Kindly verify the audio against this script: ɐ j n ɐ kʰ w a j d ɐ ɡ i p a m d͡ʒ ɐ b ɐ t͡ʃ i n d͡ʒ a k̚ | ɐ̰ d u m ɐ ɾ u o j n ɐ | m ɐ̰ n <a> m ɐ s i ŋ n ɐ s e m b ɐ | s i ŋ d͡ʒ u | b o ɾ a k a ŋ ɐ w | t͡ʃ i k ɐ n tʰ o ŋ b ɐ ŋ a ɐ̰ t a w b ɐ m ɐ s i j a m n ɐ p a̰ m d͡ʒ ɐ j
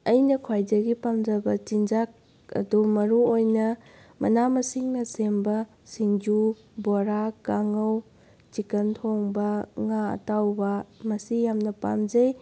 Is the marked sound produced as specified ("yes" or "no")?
yes